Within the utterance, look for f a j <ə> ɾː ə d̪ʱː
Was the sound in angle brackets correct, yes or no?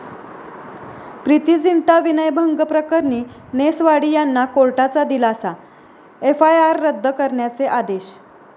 no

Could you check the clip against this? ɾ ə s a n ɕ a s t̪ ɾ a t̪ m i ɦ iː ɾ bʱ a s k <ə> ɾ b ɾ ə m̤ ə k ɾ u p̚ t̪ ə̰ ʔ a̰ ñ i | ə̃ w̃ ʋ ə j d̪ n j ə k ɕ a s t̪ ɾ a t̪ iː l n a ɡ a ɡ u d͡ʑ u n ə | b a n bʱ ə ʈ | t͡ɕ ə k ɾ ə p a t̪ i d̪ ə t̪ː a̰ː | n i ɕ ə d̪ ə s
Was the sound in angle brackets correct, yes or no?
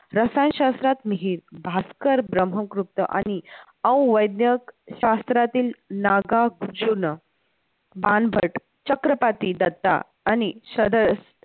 yes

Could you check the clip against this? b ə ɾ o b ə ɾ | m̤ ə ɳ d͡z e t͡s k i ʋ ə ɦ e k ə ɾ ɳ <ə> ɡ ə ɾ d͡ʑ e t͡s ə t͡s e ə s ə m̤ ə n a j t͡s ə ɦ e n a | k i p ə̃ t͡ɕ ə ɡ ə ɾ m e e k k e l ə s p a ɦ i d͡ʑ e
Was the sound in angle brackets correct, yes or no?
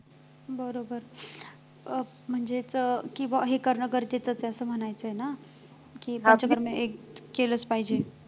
yes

